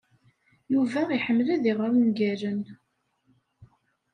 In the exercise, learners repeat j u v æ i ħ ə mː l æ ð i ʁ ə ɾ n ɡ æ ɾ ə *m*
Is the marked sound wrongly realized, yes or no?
yes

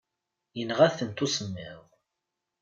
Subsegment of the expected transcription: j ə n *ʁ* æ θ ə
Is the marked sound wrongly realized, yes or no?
no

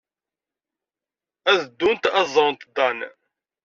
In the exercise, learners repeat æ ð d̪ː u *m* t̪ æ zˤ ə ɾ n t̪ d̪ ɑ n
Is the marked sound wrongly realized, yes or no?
yes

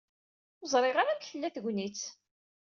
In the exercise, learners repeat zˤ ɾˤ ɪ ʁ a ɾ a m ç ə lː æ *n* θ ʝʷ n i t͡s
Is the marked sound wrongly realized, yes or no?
yes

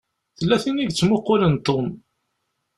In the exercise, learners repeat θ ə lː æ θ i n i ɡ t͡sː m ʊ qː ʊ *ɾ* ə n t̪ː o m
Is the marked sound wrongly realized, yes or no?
yes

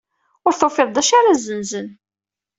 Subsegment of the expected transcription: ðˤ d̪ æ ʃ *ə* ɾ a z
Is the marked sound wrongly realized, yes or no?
yes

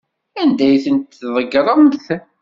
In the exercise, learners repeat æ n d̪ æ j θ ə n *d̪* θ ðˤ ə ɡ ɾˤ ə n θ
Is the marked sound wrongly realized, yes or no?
yes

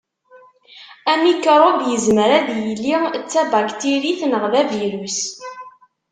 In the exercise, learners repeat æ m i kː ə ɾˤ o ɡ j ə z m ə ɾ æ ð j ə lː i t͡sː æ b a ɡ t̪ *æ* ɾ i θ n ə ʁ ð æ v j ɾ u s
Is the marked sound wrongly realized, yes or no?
yes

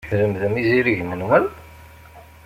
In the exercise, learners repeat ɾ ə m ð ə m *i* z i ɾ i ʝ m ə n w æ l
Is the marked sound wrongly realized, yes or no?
no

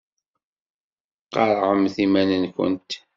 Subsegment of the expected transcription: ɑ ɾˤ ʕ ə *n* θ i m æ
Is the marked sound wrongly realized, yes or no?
yes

